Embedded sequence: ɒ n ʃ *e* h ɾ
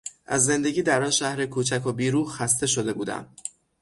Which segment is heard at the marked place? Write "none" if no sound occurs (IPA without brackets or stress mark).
æ